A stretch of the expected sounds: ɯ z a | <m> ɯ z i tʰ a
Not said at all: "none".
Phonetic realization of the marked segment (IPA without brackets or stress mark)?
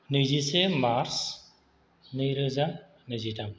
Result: n